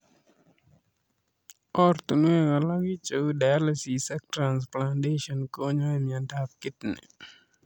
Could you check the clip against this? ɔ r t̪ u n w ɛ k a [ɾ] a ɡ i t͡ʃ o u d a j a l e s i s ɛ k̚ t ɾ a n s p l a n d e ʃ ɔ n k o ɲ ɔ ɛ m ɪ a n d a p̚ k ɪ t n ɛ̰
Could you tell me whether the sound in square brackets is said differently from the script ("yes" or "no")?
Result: yes